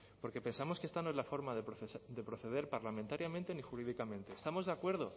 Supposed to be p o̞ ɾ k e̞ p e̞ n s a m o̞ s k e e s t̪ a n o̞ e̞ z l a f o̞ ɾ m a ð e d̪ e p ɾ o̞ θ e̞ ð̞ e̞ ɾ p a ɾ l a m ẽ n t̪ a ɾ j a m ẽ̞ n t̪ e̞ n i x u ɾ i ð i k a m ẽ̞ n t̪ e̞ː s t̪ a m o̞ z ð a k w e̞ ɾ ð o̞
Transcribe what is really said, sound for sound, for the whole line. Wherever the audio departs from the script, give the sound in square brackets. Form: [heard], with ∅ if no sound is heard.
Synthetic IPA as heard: p o̞ ɾ k e̞ p e̞ n s a m o̞ s k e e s t̪ a n o̞ e̞ z l a f o̞ ɾ m a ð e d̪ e p ɾ o̞ θ e̞ ð̞ e̞ ɾ p a ɾ l a m ẽ n t̪ a ɾ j a m ẽ̞ n t̪ e̞ n i x u ɾ i ð i k a m ẽ̞ n t̪ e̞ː s t̪ a m o̞ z ð a k w e̞ ɾ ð o̞